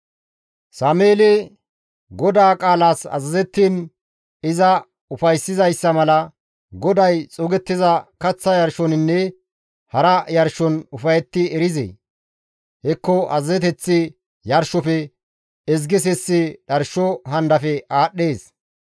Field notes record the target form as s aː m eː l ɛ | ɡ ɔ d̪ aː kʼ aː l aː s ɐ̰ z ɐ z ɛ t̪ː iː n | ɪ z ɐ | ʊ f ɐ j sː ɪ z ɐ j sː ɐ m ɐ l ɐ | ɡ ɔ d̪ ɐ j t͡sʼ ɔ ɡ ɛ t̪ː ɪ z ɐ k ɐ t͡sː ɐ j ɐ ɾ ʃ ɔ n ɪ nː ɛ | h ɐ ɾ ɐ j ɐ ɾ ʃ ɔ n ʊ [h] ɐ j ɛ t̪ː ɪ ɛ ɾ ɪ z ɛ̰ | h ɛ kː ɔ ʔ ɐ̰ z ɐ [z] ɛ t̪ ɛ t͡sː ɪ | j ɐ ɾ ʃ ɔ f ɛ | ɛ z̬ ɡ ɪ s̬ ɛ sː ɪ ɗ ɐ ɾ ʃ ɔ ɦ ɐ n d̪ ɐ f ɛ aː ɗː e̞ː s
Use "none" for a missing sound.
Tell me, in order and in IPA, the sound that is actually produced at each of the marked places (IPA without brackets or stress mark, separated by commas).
f, z